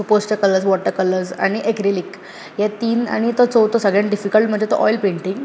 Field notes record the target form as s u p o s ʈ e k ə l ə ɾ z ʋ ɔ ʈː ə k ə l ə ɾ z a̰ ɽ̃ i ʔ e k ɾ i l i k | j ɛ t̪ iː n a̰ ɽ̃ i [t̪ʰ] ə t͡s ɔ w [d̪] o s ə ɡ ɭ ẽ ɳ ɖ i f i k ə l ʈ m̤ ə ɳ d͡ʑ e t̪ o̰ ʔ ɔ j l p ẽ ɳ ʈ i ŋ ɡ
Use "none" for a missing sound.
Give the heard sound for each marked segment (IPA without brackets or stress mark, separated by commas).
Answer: t̪, t̪